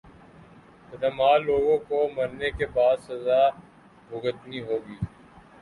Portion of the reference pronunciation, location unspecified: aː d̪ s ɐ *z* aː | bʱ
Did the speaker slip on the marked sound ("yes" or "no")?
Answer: no